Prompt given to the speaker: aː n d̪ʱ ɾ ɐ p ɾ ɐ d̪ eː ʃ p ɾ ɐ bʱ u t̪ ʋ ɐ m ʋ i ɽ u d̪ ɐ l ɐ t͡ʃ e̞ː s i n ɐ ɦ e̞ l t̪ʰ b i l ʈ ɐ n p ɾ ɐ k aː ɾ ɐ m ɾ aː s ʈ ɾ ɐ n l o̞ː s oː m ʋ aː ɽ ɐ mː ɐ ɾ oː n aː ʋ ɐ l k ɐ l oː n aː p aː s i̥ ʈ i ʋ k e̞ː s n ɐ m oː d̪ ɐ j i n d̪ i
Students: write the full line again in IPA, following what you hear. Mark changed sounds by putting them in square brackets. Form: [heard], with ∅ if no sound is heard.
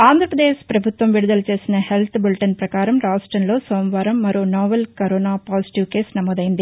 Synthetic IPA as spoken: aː n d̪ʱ ɾ ɐ p ɾ ɐ d̪ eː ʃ p ɾ ɐ bʱ u t̪ ʋ ɐ m ʋ i ɽ u d̪ ɐ l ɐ t͡ʃ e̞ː s i n ɐ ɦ e̞ l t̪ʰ b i l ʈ ɐ n p ɾ ɐ k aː ɾ ɐ m ɾ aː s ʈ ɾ ɐ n l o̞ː s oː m ʋ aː [ɾ] ɐ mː ɐ ɾ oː n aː ʋ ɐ l k ɐ [ɾ] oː n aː p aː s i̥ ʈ i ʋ k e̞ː s n ɐ m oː d̪ ɐ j i n d̪ i